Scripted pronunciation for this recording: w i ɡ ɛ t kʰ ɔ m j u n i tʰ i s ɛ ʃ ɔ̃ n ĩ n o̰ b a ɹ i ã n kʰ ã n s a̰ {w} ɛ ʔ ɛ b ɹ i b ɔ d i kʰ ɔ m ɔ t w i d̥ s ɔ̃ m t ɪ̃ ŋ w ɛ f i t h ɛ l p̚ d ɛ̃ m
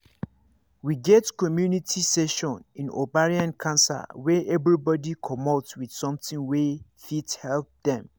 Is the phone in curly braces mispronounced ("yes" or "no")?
no